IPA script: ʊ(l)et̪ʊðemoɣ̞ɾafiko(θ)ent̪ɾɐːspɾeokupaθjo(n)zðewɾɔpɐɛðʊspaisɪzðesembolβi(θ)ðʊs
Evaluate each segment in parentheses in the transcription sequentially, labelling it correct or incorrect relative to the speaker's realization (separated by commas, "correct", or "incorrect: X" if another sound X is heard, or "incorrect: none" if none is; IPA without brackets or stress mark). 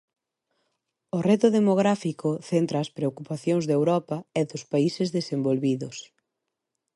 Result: incorrect: r, correct, incorrect: ŋ, incorrect: none